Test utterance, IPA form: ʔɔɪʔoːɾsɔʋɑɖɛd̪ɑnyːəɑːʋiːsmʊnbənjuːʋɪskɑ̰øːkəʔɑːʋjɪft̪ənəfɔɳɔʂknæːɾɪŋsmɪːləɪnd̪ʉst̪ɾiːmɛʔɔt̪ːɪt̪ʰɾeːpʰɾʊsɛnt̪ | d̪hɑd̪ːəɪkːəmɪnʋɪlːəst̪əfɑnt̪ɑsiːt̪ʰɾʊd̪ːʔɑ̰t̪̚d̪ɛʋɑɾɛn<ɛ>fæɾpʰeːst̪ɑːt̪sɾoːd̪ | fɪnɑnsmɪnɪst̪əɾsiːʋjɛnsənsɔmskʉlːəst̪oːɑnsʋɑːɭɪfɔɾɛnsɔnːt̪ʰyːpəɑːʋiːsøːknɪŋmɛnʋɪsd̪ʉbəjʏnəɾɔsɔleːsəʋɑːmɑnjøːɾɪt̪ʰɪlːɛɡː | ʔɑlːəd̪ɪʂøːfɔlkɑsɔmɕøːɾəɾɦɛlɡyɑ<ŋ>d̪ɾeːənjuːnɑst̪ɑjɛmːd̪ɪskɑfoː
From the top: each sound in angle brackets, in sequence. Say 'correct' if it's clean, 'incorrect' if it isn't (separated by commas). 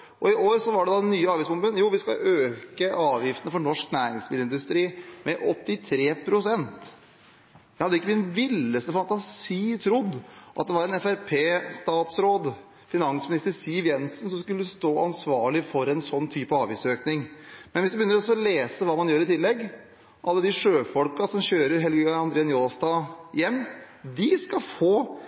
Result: correct, incorrect